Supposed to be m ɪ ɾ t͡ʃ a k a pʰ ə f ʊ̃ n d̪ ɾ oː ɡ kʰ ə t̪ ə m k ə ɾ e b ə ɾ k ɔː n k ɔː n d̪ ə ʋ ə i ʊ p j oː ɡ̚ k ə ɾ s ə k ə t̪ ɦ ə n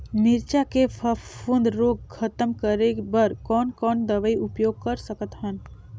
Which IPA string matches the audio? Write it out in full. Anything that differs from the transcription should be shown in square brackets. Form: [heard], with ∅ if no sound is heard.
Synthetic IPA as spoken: m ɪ ɾ t͡ʃ a k [e] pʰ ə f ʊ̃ n d̪ ɾ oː ɡ kʰ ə t̪ ə m k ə ɾ e b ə ɾ k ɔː n k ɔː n d̪ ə ʋ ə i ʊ p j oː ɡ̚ k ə ɾ s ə k ə t̪ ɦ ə n